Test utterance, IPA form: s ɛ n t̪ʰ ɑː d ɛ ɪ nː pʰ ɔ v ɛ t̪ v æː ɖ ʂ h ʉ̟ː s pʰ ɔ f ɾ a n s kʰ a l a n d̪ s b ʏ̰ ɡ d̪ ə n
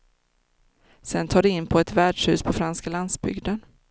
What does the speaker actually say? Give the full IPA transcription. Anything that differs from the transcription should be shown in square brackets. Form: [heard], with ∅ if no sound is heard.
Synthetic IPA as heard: s ɛ n t̪ʰ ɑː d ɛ ɪ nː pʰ ɔ [∅] ɛ t̪ v æː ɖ ʂ h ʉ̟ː s pʰ ɔ f ɾ a n s [k] a l a n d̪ s b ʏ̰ ɡ d̪ ə n

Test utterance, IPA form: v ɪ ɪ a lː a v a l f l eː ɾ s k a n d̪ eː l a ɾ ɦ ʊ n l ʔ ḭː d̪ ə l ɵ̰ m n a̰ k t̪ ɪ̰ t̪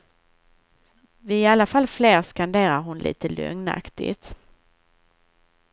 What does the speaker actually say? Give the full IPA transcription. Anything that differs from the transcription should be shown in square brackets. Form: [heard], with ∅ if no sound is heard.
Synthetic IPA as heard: v ɪ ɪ a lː a [f] a l f l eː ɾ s k a n d̪ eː [ɾ] a ɾ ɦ ʊ n l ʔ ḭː [t̪] ə l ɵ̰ [ŋ] n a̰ k t̪ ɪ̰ t̪

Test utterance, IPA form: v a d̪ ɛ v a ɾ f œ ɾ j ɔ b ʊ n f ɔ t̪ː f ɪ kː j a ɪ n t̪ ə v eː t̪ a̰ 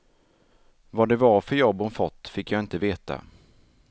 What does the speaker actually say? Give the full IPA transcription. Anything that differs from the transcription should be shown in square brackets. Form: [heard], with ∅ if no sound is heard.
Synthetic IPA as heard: v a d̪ ɛ v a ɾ f œ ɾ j ɔ b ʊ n f ɔ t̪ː f ɪ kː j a ɪ n t̪ ə v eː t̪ a̰

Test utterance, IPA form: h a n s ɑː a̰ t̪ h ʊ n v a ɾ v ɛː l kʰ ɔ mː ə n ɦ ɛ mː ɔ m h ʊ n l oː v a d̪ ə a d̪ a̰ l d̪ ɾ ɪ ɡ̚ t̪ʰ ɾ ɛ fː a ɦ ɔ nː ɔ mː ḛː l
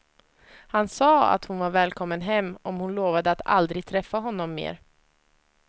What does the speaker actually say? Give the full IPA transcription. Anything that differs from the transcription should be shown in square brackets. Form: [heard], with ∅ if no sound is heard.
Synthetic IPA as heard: h a n s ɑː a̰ t̪ h ʊ n v a ɾ v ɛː l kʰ ɔ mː ə n ɦ ɛ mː ɔ m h ʊ n l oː v a d̪ ə a [t̪] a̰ l d̪ ɾ ɪ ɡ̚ t̪ʰ ɾ ɛ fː a ɦ ɔ nː ɔ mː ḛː [ɾ]

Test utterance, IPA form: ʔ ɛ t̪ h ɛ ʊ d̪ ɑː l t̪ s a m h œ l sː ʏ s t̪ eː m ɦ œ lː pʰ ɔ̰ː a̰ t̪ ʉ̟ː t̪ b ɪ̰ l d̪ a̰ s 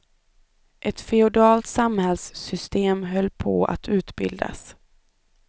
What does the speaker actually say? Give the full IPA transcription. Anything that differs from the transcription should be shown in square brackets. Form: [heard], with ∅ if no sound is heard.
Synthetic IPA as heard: ʔ ɛ t̪ [f] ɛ ʊ d̪ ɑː l t̪ s a m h [ɛ] l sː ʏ s t̪ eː m ɦ œ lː pʰ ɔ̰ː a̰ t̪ ʉ̟ː t̪ b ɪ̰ l d̪ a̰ s

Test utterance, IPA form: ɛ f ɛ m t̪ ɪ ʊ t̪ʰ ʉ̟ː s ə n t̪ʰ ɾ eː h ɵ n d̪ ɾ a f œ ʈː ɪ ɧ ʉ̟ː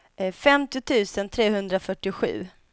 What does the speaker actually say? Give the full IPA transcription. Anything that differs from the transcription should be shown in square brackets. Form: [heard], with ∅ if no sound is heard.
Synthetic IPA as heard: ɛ f ɛ m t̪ ɪ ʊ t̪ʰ ʉ̟ː s ə n t̪ʰ ɾ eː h ɵ n d̪ ɾ a f œ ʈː ɪ ɧ ʉ̟ː

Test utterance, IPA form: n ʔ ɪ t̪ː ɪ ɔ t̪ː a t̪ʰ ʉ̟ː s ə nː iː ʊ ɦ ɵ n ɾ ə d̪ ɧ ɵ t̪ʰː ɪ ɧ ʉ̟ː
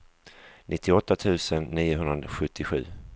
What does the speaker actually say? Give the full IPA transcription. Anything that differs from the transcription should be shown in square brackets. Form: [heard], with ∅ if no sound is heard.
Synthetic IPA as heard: n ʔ ɪ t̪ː ɪ ɔ t̪ː a t̪ʰ ʉ̟ː s ə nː iː ʊ ɦ ɵ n ɾ [a] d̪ ɧ ɵ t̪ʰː ɪ ɧ ʉ̟ː

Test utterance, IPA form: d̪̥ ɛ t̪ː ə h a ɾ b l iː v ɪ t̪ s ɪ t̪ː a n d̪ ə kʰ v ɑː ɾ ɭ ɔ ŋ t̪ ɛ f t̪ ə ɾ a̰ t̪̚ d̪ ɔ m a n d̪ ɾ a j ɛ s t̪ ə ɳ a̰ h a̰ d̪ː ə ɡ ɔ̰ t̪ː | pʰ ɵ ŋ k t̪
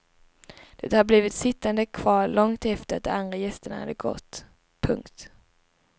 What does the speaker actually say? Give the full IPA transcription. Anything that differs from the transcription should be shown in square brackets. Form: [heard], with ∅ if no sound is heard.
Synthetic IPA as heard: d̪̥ ɛ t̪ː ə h a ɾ b l iː v ɪ t̪ s ɪ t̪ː a n d̪ ə kʰ v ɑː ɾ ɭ ɔ ŋ t̪ ɛ f t̪ ə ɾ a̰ t̪̚ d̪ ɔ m a n d̪ ɾ a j ɛ s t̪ ə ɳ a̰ h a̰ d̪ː ə ɡ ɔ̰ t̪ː | pʰ ɵ ŋ k t̪

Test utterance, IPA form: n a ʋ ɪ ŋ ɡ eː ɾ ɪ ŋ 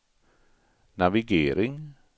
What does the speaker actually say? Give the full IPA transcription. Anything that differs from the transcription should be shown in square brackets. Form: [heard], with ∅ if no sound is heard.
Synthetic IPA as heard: n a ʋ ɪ [∅] ɡ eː ɾ ɪ ŋ

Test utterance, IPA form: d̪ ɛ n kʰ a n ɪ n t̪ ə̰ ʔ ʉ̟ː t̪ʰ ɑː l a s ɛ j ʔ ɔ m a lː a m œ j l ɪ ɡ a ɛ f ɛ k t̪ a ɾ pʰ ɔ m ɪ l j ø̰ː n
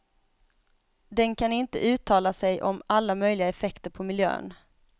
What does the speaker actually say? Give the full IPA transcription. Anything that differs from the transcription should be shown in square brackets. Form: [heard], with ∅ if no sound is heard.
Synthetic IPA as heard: d̪ ɛ n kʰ a n ɪ n t̪ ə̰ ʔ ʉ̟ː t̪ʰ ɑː l a s ɛ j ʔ ɔ m a lː a m œ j l ɪ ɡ a ɛ f ɛ k t̪ [ə] ɾ pʰ ɔ m ɪ l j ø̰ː n

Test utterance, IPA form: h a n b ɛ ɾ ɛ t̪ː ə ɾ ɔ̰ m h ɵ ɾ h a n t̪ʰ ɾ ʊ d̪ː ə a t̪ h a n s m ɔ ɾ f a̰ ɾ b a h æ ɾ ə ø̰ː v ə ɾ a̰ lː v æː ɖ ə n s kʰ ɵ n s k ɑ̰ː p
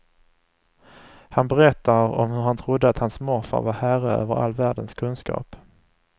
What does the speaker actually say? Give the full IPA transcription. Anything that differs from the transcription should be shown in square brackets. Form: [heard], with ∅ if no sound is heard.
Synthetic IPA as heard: h a n b ɛ ɾ ɛ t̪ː [a] ɾ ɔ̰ m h ɵ ɾ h a n t̪ʰ ɾ ʊ d̪ː ə a t̪ h a n s m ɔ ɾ f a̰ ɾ [v] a h æ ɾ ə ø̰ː v ə ɾ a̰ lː v æː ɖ ə n s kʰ ɵ n s k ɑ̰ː p

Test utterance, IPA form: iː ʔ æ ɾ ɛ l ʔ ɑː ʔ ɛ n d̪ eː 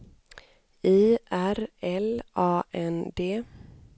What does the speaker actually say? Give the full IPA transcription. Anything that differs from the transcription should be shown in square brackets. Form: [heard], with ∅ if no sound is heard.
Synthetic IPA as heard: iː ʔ æ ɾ ɛ l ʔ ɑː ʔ ɛ n d̪ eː

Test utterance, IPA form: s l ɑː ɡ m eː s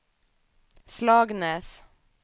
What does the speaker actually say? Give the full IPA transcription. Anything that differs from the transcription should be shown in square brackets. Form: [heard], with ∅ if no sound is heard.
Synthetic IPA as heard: s l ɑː ɡ [n] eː s

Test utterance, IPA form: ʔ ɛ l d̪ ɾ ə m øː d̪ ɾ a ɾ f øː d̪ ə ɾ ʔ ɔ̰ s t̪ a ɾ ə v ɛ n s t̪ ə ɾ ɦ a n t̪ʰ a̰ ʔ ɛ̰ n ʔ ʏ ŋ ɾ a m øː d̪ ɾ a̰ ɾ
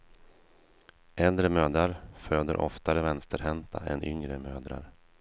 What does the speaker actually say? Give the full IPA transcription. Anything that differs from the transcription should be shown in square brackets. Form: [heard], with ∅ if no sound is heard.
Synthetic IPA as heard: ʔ ɛ l d̪ ɾ ə m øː d̪ ɾ a ɾ f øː d̪ ə ɾ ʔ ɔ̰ [f] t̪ a ɾ ə v ɛ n s t̪ ə ɾ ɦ [ɛ] n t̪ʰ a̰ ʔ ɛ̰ n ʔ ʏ ŋ ɾ [ə] m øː d̪ ɾ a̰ ɾ

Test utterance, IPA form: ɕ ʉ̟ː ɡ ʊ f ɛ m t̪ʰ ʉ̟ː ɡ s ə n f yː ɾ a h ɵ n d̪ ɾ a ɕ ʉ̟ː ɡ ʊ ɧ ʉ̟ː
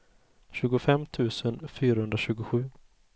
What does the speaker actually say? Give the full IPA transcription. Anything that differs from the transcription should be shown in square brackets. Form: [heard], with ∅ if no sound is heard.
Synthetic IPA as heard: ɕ ʉ̟ː ɡ ʊ f ɛ m t̪ʰ ʉ̟ː [∅] s ə n f yː ɾ a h ɵ n d̪ ɾ a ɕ ʉ̟ː ɡ ʊ ɧ ʉ̟ː

